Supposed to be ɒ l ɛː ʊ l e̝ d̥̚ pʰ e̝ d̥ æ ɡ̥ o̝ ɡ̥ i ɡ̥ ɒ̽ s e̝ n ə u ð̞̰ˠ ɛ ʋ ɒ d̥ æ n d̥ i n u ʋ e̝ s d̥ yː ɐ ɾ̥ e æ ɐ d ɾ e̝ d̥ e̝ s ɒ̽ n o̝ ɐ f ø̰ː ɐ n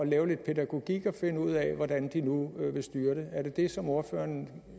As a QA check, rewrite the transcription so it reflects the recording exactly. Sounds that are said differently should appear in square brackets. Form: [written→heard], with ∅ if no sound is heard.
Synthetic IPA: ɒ l ɛː ʊ l e̝ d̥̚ pʰ e̝ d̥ æ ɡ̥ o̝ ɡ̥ i ɡ̥ ɒ̽ [s→f] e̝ n ə u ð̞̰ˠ ɛ ʋ ɒ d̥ æ n d̥ i n u ʋ e̝ s d̥ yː ɐ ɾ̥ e æ ɐ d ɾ e̝ d̥ e̝ s ɒ̽ [n→m] o̝ ɐ f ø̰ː ɐ n